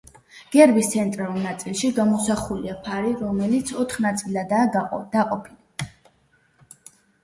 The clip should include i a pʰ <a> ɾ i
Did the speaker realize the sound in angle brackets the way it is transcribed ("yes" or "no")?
yes